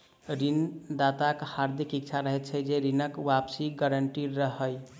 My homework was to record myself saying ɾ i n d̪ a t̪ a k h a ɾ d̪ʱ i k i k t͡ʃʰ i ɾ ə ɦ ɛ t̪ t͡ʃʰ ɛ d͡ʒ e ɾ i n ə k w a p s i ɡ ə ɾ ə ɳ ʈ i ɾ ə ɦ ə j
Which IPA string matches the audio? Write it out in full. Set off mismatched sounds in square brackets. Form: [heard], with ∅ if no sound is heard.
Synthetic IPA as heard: ɾ i n d̪ a t̪ a k h a ɾ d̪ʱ i k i k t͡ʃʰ [a] ɾ ə ɦ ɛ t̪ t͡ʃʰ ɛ d͡ʒ e ɾ i n ə k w a p s i ɡ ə ɾ ə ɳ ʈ i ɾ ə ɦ ə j